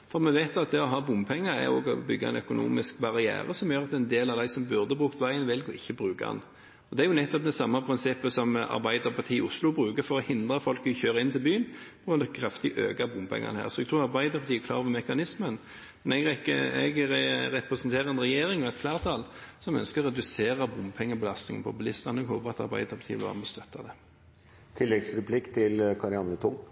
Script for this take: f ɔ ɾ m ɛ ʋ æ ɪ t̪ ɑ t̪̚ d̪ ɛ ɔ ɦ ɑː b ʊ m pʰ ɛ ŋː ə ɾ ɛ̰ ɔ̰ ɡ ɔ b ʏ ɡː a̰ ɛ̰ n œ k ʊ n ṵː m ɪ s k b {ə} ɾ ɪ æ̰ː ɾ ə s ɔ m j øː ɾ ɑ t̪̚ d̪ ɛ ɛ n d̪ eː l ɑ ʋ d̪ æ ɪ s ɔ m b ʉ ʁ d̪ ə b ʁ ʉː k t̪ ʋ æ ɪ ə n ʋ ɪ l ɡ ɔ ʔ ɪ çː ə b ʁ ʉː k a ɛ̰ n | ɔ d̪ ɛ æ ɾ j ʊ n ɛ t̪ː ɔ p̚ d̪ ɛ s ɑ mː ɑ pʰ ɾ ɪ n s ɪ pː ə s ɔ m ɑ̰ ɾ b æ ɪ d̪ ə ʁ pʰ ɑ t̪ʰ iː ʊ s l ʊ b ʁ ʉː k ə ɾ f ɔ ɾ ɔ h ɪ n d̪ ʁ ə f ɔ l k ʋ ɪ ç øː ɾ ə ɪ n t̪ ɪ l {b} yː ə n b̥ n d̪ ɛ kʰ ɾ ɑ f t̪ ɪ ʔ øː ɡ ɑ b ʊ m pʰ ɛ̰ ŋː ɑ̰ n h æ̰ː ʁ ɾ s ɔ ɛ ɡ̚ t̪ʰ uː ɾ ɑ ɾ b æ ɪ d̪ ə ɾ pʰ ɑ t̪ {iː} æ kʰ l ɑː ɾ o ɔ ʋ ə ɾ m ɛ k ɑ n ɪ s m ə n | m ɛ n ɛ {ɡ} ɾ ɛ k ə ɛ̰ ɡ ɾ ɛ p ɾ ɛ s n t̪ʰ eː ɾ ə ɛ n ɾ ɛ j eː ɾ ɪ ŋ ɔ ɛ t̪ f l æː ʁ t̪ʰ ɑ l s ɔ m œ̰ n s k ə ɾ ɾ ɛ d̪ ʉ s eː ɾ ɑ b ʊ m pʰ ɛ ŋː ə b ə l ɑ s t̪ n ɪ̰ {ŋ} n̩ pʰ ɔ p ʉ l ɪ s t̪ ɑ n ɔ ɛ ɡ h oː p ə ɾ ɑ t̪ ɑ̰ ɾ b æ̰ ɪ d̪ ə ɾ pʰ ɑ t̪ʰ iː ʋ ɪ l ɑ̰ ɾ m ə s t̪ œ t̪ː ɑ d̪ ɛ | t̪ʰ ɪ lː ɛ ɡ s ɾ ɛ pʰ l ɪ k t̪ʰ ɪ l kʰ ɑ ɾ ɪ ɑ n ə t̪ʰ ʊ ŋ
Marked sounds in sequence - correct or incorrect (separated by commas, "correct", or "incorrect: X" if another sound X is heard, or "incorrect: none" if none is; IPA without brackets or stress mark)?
incorrect: ɑ, correct, correct, correct, correct